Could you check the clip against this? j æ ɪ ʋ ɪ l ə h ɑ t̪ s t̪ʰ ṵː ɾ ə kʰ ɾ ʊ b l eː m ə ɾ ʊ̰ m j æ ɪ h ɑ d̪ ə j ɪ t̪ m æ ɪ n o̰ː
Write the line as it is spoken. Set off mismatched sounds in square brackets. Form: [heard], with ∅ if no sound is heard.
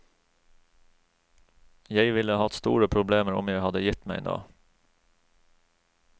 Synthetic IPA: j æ ɪ ʋ ɪ l ə h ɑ t̪ s [t̪] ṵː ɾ ə [pʰ] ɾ ʊ b l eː m ə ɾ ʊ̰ m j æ ɪ h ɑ d̪ ə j ɪ t̪ m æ ɪ n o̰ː